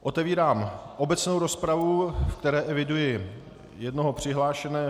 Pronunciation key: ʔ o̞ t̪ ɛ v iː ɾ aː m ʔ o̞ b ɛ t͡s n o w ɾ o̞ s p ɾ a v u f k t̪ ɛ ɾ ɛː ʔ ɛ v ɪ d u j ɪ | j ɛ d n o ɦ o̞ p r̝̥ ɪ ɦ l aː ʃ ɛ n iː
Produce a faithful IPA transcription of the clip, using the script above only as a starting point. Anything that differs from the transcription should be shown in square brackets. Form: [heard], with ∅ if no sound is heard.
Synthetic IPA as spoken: ʔ o̞ t̪ ɛ v iː ɾ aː m ʔ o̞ b ɛ t͡s n o w ɾ o̞ s p ɾ a v u f k t̪ ɛ ɾ ɛː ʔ ɛ v ɪ d u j ɪ | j ɛ d n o ɦ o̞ p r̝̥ ɪ ɦ l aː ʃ ɛ n [ɛː]